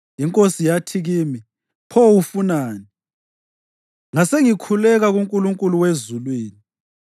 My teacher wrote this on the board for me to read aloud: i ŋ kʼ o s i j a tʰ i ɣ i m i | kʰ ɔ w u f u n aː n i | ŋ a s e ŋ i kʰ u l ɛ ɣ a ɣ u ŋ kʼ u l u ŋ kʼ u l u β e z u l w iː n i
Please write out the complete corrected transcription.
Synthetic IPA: i ŋ kʼ o s i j a tʰ i ɣ i m i | pʰ ɔ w u f u n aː n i | ŋ a s e ŋ i kʰ u l ɛ ɣ a ɣ u ŋ kʼ u l u ŋ kʼ u l u w e z u l w iː n i